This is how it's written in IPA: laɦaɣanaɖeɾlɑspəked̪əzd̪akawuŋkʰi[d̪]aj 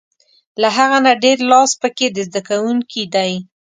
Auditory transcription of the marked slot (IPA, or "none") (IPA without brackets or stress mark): d̪